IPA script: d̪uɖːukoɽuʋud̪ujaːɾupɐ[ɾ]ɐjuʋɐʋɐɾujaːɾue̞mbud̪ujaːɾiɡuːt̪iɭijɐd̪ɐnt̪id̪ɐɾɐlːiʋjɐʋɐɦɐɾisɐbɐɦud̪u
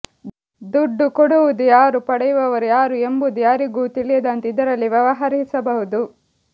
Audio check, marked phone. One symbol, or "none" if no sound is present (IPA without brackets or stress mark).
ɽ